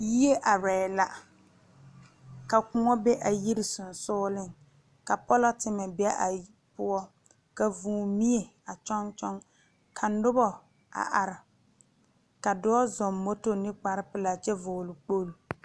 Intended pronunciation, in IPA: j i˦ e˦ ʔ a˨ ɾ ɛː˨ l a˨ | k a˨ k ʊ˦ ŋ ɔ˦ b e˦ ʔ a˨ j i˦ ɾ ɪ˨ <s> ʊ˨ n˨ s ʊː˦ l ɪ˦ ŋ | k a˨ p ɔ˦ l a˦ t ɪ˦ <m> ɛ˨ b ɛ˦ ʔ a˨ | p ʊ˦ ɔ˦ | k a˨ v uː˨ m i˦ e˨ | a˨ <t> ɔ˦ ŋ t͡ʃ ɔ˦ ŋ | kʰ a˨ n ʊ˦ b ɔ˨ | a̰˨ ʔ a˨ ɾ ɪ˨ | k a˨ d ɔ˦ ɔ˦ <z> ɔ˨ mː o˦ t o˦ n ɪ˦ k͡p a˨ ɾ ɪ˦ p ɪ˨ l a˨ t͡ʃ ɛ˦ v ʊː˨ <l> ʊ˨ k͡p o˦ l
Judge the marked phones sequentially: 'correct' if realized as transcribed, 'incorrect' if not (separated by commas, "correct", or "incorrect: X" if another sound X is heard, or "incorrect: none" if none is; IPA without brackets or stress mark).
correct, correct, incorrect: t͡ʃ, correct, correct